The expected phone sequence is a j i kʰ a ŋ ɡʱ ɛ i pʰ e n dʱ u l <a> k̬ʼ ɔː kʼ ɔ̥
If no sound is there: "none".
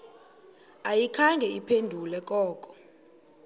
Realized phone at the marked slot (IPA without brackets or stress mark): ɛ